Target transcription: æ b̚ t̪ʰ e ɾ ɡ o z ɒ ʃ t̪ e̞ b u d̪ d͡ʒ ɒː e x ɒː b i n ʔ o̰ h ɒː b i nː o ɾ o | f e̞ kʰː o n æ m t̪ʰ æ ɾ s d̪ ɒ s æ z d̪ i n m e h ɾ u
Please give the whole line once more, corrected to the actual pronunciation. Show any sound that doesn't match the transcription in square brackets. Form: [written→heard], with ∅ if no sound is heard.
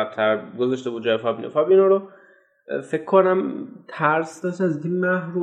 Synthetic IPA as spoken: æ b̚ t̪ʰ [e→æ] ɾ ɡ o z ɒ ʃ t̪ e̞ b u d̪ d͡ʒ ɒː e [x→f] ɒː b i n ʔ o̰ [h→f] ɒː b i [nː→n] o ɾ o | f e̞ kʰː o n æ m t̪ʰ æ ɾ s d̪ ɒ [s→ʃ] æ z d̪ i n m [e→æ] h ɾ u